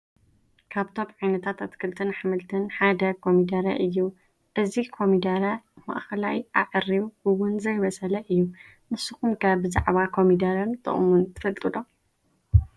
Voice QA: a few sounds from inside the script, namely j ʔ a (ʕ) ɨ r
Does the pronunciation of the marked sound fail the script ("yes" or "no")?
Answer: no